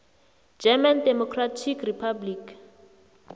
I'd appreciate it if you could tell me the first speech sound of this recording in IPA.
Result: d͡ʒ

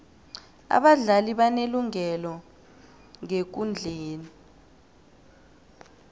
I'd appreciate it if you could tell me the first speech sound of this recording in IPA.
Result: a̰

